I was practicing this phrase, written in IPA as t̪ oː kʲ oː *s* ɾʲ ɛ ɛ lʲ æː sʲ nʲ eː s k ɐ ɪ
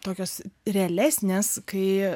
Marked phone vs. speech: correct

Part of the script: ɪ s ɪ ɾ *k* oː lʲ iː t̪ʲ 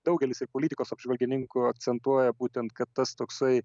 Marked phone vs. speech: incorrect: p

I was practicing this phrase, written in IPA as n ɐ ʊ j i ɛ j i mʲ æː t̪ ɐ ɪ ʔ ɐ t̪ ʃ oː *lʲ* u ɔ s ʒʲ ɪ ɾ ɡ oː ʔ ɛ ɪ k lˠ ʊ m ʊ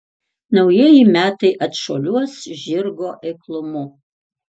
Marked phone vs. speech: correct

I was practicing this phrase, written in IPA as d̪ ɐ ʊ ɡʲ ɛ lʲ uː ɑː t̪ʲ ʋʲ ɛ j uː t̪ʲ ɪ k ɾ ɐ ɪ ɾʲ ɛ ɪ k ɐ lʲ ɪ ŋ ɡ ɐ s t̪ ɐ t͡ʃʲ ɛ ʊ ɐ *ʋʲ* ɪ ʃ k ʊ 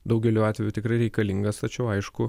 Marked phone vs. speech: incorrect: none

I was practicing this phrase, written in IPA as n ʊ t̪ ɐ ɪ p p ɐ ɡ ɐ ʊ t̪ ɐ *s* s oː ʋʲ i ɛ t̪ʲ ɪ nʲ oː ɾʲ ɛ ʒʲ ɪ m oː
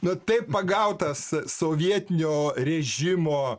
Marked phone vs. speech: correct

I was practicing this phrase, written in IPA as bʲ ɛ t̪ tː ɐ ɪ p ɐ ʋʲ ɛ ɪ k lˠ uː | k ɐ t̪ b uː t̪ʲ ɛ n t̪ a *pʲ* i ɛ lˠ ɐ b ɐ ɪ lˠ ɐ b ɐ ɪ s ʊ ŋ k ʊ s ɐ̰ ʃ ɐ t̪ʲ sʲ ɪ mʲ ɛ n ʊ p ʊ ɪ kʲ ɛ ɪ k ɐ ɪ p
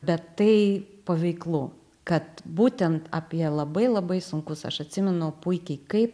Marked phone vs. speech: correct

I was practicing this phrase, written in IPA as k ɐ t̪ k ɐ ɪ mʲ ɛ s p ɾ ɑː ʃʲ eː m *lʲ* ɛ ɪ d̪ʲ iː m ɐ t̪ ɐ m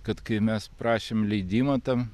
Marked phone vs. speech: correct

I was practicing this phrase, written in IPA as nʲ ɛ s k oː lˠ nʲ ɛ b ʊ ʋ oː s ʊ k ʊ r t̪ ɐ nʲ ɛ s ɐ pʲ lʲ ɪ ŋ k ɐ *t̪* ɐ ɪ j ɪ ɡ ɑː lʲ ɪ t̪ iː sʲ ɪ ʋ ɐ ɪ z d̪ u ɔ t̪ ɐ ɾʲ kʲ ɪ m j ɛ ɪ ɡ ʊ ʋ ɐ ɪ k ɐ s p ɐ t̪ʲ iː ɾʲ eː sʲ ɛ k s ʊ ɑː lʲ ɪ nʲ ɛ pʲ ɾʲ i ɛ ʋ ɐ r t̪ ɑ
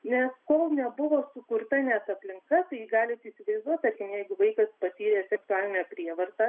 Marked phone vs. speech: correct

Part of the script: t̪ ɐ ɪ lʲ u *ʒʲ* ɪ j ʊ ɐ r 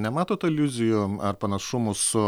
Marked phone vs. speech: incorrect: zʲ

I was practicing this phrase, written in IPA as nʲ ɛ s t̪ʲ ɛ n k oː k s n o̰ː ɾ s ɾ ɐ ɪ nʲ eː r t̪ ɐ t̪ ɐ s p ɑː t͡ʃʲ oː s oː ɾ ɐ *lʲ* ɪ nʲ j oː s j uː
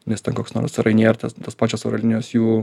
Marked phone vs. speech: correct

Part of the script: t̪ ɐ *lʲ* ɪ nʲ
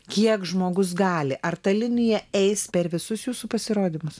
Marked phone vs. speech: correct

